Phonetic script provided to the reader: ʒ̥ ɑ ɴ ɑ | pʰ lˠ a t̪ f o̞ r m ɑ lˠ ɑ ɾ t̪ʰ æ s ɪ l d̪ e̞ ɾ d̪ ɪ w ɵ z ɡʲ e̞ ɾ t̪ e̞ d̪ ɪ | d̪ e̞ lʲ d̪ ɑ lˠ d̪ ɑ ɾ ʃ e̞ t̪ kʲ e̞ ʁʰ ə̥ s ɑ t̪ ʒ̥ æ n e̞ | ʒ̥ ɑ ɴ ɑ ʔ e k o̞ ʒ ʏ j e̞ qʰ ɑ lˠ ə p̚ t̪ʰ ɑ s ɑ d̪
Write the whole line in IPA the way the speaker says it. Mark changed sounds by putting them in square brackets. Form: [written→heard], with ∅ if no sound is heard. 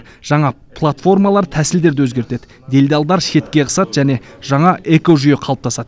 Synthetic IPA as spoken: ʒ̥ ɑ ɴ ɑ | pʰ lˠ a t̪ f o̞ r m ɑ lˠ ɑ ɾ t̪ʰ æ s ɪ l d̪ e̞ ɾ d̪ ɪ w ɵ z ɡʲ e̞ ɾ t̪ e̞ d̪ ɪ | d̪ e̞ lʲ d̪ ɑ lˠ d̪ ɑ ɾ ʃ e̞ t̪ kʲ e̞ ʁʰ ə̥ s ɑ t̪ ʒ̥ æ n e̞ | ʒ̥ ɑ ɴ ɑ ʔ e k o̞ ʒ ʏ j e̞ qʰ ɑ lˠ ə p̚ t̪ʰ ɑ s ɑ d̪